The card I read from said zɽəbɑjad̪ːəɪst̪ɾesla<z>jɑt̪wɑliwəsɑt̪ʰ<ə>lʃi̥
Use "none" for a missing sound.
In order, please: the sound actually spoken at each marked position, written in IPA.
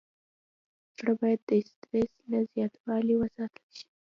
z, ə

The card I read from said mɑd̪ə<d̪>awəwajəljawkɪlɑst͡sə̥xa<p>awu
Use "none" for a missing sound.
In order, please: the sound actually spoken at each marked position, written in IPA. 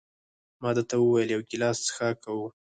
t̪, k

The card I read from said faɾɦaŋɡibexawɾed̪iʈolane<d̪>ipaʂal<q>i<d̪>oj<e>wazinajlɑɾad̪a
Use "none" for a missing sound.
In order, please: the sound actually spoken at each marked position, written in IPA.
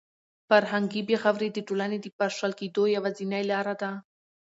d̪, k, d̪, a

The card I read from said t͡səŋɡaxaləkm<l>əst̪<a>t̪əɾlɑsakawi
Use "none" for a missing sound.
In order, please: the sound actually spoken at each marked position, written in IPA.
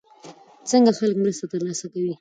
ɾ, a

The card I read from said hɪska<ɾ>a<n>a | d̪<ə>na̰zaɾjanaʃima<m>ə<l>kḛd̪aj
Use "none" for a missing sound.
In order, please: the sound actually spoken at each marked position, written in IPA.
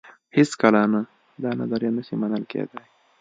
l, n, ɑ, n, l

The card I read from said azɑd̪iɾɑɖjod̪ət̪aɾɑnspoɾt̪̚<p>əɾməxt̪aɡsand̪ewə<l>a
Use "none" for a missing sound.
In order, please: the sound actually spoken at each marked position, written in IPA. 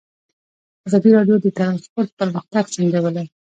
p, l

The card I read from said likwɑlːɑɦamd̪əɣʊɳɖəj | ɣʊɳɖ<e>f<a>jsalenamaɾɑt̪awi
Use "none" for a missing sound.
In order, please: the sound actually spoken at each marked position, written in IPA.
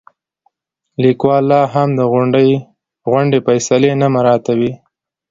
e, a

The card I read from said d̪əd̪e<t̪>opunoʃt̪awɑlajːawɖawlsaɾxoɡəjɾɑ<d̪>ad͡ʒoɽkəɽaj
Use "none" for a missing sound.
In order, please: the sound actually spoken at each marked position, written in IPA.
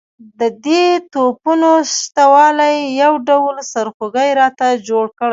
t̪, t̪

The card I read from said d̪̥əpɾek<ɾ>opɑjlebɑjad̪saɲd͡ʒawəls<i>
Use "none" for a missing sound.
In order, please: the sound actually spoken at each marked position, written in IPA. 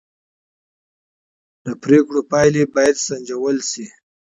ɽ, i

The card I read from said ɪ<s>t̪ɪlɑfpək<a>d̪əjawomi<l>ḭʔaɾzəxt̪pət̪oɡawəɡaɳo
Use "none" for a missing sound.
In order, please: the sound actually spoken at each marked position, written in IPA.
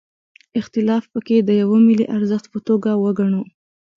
x, e, l

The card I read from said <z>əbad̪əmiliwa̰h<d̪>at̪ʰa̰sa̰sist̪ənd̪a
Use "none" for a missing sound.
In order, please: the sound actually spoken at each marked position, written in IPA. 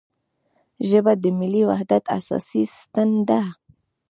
ʒ, d̪

